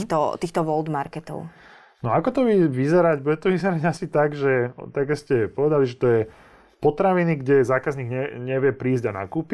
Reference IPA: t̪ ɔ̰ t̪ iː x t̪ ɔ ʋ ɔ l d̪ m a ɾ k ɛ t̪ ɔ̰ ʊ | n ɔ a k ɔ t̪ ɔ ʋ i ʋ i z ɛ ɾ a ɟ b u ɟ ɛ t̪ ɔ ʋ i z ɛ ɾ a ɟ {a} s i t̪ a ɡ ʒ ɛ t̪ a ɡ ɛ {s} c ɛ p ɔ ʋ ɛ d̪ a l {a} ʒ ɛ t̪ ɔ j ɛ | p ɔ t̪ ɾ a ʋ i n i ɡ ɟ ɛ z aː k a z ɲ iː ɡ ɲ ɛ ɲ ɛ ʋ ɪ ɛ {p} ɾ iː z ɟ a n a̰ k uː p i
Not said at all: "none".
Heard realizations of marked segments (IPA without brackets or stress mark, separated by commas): a, s, i, p